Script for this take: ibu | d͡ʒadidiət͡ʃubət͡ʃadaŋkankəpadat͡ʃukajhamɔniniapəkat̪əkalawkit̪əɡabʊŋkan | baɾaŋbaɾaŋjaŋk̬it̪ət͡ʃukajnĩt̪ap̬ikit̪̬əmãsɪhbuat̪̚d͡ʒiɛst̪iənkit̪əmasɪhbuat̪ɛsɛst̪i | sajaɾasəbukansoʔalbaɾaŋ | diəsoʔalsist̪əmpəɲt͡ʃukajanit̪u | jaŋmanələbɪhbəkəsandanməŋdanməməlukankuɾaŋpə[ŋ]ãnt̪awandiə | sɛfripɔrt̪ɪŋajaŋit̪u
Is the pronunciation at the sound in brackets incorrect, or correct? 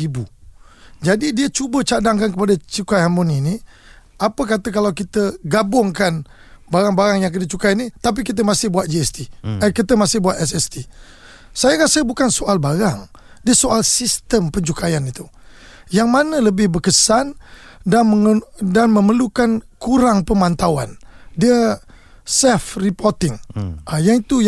incorrect